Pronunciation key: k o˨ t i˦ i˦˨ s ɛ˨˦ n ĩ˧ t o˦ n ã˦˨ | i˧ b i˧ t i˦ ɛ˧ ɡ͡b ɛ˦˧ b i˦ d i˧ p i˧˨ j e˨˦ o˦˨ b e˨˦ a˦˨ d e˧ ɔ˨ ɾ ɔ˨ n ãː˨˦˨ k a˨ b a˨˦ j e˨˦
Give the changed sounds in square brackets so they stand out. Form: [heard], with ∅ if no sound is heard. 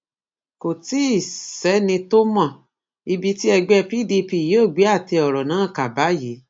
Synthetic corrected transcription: k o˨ t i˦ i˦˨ s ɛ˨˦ n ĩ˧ t o˦ [m] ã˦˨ | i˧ b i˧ t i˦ ɛ˧ ɡ͡b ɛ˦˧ [p] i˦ d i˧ p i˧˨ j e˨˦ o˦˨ [ɡ͡b] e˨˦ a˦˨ [t] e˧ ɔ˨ ɾ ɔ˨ n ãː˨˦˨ k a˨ b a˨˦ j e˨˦